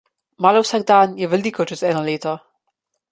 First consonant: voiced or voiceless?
voiced